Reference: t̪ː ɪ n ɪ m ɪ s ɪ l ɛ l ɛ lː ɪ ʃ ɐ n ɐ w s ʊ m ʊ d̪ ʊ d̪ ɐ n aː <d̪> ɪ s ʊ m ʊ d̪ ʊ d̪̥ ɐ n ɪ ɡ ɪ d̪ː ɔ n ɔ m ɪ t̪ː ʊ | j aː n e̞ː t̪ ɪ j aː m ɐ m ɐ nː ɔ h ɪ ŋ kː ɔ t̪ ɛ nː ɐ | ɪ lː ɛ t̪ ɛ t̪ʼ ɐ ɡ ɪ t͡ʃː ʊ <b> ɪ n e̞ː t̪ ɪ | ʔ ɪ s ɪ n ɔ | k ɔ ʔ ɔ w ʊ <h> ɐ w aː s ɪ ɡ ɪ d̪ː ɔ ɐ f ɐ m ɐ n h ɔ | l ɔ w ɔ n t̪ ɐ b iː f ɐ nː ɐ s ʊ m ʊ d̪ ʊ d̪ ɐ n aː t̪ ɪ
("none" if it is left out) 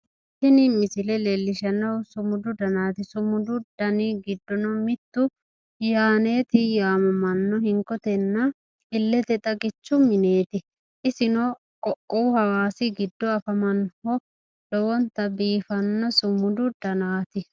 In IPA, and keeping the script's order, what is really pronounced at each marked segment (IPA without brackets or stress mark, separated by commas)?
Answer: t̪, m, h